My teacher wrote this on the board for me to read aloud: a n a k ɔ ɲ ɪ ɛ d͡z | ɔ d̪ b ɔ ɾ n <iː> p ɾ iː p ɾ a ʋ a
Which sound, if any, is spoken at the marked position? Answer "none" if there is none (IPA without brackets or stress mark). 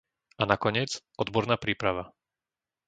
aː